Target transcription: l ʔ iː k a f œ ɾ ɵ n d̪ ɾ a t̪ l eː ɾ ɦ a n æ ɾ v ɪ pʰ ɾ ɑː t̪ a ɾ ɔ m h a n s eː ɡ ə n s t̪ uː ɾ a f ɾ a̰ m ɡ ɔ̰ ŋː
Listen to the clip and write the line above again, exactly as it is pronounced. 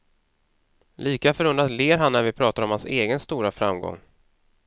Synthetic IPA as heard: l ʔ iː k a f œ ɾ ɵ n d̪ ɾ a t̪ l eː ɾ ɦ a nː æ ɾ v ɪ pʰ ɾ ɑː t̪ a ɾ ɔ m h a n s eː ɡ ə n s t̪ uː ɾ a f ɾ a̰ m ɡ ɔ̰ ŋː